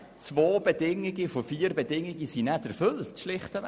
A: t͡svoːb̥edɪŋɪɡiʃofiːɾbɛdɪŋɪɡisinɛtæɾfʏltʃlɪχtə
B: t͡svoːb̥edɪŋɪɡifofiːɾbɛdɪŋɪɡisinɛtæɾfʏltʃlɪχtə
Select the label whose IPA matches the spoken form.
B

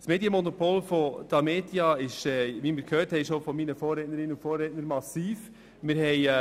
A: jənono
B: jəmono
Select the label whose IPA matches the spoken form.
B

